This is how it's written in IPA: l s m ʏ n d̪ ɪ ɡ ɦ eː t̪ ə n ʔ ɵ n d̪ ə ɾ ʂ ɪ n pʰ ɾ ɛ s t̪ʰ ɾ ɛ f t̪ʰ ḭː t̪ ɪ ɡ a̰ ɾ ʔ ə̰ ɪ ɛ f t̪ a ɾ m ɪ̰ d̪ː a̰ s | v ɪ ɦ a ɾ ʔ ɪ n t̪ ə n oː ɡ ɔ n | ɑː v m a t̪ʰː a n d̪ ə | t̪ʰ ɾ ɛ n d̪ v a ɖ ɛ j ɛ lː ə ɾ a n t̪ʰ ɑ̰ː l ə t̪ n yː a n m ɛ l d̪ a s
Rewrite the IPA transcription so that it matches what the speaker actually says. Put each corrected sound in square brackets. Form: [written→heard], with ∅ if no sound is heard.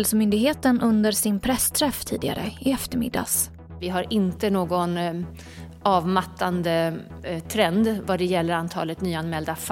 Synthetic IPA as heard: l s m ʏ n d̪ ɪ ɡ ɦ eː t̪ ə n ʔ ɵ n d̪ ə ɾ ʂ ɪ n pʰ ɾ ɛ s t̪ʰ ɾ ɛ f t̪ʰ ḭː [t̪→d̪] ɪ ɡ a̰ ɾ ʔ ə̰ ɪ ɛ f t̪ [a→ə] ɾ m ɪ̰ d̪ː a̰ s | v ɪ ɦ a ɾ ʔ ɪ n t̪ ə n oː ɡ ɔ n | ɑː v m a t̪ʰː a n d̪ ə | t̪ʰ ɾ ɛ n d̪ v a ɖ ɛ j ɛ lː ə ɾ a n t̪ʰ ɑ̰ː l ə t̪ n yː a n m ɛ l d̪ a [s→f]